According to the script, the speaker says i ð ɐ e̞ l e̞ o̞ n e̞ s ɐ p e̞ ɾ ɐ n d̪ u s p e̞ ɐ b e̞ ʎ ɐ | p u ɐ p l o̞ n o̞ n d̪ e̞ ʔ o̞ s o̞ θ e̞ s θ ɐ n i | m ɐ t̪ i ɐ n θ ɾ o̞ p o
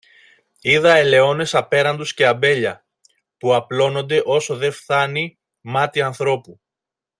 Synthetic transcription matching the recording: i ð ɐ e̞ l e̞ o̞ n e̞ s ɐ p e̞ ɾ ɐ n d̪ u s c e̞ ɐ b e̞ ʎ ɐ | p u ɐ p l o̞ n o̞ n d̪ e̞ ʔ o̞ s o̞ ð e̞ f θ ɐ n i | m ɐ t̪ i ɐ n θ ɾ o̞ p u